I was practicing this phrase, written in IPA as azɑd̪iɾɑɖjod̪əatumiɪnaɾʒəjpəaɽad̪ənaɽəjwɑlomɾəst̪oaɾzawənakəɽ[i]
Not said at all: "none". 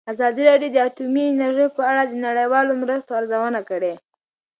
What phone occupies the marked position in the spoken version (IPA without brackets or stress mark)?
e